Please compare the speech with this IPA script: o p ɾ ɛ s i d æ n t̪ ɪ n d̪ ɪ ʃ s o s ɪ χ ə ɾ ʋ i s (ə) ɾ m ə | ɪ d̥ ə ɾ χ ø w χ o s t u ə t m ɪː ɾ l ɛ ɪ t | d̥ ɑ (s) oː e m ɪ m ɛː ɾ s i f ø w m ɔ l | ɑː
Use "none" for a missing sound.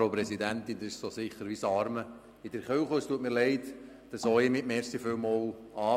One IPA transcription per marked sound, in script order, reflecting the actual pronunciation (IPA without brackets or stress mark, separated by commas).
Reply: ɑ, s